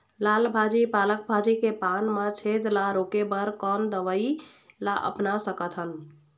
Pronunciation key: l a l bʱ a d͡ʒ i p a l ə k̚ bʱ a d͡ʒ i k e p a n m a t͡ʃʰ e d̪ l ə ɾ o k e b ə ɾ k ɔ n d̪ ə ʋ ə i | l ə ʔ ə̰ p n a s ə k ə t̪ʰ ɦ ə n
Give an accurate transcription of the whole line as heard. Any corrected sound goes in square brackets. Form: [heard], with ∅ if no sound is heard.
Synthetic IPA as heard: l a l bʱ a d͡ʒ i p a l ə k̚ bʱ a d͡ʒ i k e p a n m a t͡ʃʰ e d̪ l [a] ɾ o k e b ə ɾ k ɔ n d̪ ə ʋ ə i | l [a] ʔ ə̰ p n a s ə k ə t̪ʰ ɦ ə n